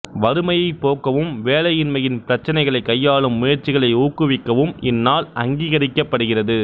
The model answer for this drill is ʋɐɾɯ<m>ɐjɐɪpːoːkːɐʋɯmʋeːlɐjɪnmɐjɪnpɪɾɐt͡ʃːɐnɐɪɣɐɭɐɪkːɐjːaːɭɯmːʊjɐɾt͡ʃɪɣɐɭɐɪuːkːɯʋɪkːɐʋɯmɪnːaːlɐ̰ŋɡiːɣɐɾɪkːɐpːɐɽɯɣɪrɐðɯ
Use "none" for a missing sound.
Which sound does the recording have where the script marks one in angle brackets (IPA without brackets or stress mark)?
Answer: m